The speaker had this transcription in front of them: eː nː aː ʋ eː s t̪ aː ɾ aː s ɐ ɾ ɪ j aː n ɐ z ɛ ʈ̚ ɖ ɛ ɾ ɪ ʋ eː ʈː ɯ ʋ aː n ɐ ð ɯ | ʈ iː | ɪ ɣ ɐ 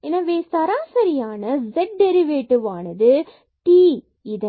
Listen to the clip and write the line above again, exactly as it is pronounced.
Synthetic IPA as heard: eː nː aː ʋ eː s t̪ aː ɾ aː s ɐ ɾ ɪ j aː n ɐ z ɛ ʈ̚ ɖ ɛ ɾ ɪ ʋ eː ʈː ɯ ʋ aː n ɐ ð ɯ | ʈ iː | ɪ ð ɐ